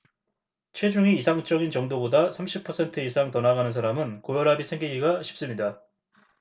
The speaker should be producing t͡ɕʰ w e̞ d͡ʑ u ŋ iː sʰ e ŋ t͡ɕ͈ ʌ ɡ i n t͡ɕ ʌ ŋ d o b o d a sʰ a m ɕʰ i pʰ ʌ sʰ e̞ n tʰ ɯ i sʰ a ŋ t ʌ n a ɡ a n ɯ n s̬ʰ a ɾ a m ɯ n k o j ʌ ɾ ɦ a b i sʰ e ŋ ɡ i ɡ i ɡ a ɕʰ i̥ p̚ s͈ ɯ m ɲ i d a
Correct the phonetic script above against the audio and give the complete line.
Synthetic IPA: t͡ɕʰ w e̞ d͡ʑ u ŋ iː sʰ a ŋ t͡ɕ͈ ʌ ɡ i n t͡ɕ ʌ ŋ d o b o d a sʰ a m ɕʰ i pʰ ʌ sʰ e̞ n tʰ ɯ i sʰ a ŋ t ʌ n a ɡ a n ɯ n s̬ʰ a ɾ a m ɯ n k o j ʌ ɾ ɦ a b i sʰ e ŋ ɡ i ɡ i ɡ a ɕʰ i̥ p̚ s͈ ɯ m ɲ i d a